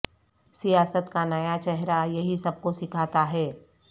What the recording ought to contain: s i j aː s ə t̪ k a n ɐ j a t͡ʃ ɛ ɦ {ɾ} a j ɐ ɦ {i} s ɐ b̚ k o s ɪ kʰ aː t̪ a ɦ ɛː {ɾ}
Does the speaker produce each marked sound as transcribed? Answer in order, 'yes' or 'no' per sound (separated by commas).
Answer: yes, yes, no